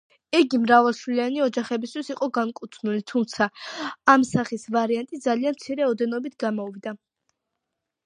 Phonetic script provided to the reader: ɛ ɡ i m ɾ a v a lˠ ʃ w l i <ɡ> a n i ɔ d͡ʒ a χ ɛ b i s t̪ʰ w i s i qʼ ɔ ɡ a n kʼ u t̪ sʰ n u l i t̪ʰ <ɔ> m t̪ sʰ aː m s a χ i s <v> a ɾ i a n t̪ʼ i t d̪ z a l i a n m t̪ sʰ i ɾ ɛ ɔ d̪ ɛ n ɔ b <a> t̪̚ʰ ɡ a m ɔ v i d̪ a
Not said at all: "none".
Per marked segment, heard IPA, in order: none, u, v, i

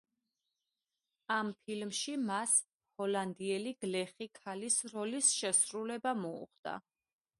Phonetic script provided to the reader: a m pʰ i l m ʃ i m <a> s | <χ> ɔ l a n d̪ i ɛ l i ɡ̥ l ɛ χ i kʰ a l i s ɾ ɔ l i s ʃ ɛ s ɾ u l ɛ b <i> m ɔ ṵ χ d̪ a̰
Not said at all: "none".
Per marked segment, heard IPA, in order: a, h, a

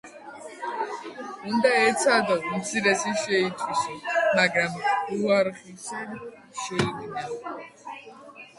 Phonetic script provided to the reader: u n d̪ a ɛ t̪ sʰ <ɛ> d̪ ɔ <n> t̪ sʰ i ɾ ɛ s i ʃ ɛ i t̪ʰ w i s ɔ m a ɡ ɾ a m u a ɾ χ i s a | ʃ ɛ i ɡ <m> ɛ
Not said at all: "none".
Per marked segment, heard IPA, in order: a, m, n

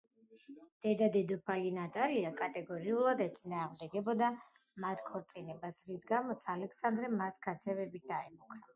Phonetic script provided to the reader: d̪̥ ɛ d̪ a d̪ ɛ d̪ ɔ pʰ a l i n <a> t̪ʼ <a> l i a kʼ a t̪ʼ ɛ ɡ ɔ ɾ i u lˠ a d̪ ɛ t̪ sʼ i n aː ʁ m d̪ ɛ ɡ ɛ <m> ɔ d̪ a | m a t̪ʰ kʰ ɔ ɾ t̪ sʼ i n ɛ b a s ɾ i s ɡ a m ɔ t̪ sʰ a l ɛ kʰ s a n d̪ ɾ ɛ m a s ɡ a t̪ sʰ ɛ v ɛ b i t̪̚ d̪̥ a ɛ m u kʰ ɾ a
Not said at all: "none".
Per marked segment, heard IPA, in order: a, a, b

